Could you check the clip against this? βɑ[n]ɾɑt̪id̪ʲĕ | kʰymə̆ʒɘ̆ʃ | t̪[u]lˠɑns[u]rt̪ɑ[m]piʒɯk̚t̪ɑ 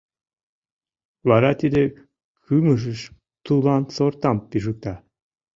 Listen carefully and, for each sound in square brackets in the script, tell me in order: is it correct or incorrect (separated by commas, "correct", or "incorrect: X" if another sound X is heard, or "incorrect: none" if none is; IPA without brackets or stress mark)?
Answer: incorrect: none, correct, incorrect: o, correct